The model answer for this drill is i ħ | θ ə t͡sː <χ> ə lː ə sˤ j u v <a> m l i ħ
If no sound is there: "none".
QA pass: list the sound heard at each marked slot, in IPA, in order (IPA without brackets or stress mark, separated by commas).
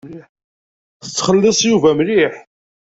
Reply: χ, æ